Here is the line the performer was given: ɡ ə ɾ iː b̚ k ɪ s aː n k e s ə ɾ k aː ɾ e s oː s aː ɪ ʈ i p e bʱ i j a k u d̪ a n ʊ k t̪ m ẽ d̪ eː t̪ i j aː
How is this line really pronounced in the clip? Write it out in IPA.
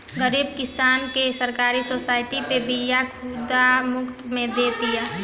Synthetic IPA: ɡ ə ɾ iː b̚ k ɪ s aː n k e s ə ɾ k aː ɾ i s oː s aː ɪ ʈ i p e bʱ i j a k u d̪ a m ʊ k t̪ m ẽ d̪ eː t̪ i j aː